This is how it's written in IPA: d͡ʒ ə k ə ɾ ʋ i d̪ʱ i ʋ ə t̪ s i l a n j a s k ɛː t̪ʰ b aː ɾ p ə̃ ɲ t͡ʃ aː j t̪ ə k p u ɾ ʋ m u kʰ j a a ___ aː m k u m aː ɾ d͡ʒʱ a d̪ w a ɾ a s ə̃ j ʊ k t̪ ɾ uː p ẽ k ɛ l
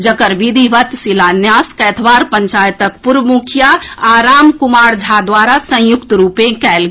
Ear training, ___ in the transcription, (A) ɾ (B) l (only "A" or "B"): A